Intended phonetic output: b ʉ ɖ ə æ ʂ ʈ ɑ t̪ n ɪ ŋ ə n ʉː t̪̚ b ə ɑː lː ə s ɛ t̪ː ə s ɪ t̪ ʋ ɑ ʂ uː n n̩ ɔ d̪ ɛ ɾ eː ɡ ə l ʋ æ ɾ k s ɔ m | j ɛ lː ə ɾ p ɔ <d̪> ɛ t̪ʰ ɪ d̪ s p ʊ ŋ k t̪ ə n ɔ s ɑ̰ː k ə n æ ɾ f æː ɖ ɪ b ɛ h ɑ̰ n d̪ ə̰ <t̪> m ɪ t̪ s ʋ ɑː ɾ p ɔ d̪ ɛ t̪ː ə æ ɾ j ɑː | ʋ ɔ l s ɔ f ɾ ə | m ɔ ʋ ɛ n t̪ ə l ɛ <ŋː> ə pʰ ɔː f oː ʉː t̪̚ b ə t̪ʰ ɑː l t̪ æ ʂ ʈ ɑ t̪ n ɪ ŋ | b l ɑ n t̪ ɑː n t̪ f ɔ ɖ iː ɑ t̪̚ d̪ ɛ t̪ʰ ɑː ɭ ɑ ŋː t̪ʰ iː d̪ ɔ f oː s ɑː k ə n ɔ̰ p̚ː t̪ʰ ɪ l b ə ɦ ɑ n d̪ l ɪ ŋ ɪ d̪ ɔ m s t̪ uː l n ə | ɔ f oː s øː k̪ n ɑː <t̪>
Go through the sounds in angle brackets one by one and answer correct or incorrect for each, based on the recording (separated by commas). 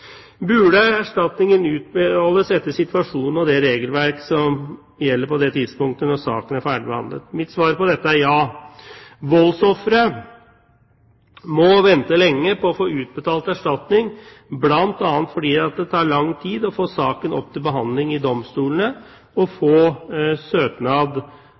correct, correct, correct, incorrect